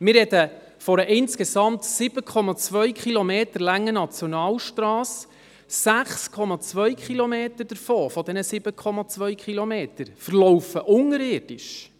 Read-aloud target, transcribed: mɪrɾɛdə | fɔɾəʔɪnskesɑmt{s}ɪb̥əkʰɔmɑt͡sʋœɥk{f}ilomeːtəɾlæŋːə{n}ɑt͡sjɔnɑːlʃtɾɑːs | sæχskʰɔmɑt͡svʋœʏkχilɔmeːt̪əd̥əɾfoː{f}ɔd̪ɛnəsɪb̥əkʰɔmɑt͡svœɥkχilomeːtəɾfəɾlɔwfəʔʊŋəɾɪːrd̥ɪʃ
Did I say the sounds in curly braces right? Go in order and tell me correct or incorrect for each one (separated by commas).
correct, incorrect, correct, correct